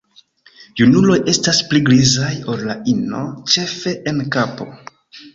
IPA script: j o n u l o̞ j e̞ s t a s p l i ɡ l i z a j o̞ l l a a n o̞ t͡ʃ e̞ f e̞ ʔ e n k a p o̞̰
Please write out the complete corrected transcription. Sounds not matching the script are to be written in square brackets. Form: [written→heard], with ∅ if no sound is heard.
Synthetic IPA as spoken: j [o→u] n u l o̞ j e̞ s t a s p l i ɡ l i z a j o̞ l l a [a→i] n o̞ t͡ʃ e̞ f e̞ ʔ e n k a p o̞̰